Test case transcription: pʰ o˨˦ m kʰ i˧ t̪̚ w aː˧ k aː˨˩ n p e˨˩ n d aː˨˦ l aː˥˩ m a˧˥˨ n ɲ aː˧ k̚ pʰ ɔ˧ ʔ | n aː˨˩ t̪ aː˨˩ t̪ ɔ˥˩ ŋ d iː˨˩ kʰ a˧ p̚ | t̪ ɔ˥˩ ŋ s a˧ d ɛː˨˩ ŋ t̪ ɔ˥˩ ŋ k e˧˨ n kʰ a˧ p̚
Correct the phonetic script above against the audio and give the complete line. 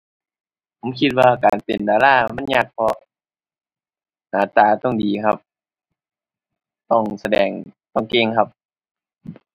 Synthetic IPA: pʰ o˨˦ m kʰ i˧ t̪̚ w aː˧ k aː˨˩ n p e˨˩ n d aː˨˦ l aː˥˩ m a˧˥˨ n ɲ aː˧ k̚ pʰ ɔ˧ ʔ | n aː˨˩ t̪ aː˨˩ t̪ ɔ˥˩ ŋ d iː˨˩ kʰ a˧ p̚ | t̪ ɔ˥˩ ŋ s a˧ d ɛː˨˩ ŋ t̪ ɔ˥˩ ŋ k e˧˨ ŋ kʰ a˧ p̚